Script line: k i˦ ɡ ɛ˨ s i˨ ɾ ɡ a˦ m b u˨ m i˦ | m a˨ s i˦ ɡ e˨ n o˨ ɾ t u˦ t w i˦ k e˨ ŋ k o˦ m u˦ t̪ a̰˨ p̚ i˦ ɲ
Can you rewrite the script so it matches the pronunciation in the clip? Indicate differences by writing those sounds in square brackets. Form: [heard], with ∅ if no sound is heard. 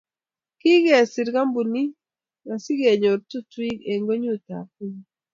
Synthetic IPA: k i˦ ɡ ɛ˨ s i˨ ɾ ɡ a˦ m b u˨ [n] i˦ | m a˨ s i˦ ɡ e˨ [ɲ] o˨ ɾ t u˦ t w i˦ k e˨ ŋ [ɡ] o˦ [ɲ] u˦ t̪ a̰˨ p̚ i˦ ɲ